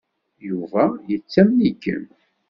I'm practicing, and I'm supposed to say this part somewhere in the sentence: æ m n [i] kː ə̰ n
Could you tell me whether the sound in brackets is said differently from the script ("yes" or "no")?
no